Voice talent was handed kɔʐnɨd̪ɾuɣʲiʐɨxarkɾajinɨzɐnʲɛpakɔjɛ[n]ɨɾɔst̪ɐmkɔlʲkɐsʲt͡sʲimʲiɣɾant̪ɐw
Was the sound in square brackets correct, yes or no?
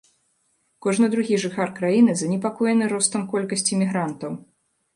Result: yes